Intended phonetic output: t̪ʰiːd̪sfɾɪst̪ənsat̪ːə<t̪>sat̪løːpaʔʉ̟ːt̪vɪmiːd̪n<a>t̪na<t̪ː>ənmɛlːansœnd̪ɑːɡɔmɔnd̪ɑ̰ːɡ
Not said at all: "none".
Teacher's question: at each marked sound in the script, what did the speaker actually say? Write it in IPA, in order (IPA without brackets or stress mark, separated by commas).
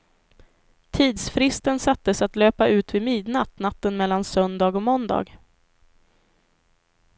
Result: none, a, t̪ː